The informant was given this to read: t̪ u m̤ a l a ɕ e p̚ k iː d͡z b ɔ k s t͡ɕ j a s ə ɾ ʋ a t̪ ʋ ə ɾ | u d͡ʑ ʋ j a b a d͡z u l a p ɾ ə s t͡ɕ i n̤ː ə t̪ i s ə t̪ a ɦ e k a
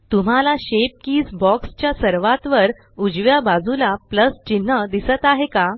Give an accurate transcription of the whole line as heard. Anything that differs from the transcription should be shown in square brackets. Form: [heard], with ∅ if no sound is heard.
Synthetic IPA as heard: t̪ u m̤ a l a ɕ e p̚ k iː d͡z b ɔ k s t͡ɕ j a s ə ɾ ʋ a t̪ ʋ ə ɾ | u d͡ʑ ʋ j a b a d͡z u l a p [l] ə s t͡ɕ i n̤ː ə [d̪] i s ə t̪ a ɦ e k a